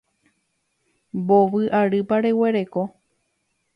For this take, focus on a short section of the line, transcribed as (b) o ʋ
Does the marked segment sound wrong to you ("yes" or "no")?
no